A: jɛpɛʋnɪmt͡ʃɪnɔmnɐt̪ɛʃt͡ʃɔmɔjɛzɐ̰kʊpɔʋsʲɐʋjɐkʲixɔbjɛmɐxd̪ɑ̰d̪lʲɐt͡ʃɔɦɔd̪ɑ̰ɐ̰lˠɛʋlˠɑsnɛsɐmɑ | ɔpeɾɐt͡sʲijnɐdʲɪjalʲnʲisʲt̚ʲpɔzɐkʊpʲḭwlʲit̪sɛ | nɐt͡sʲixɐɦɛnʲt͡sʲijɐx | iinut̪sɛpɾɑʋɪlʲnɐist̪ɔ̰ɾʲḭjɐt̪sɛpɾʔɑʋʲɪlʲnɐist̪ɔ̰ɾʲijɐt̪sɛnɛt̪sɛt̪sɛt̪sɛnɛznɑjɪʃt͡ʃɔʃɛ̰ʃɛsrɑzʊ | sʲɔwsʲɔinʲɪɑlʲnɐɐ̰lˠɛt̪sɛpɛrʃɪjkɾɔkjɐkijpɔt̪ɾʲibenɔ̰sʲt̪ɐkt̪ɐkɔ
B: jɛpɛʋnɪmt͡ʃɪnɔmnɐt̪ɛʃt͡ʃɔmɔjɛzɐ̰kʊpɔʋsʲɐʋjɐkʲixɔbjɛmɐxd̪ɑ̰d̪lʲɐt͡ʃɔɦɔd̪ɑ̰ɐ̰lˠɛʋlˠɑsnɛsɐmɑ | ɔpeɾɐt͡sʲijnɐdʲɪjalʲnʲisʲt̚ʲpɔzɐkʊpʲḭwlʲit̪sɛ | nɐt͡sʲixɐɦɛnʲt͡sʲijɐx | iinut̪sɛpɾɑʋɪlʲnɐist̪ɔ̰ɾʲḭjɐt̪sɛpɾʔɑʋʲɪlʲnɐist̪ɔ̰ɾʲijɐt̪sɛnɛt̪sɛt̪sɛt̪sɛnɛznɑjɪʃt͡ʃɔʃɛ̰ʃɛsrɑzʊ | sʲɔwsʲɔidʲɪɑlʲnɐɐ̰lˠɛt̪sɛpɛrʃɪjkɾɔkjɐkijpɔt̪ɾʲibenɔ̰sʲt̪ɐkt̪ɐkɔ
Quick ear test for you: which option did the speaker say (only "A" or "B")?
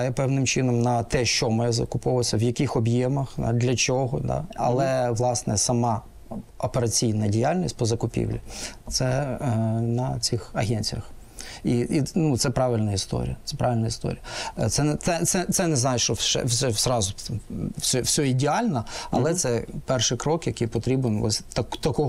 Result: B